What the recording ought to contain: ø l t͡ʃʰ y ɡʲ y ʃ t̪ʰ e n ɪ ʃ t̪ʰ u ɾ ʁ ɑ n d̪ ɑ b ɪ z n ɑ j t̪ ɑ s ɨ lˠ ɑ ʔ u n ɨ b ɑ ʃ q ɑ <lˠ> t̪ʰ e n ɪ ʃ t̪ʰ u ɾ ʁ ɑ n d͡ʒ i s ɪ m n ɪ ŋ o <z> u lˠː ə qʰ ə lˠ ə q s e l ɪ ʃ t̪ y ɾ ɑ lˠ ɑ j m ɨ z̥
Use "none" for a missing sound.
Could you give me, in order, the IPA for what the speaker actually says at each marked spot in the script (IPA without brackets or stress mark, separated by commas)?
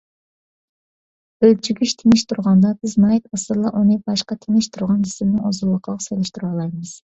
none, z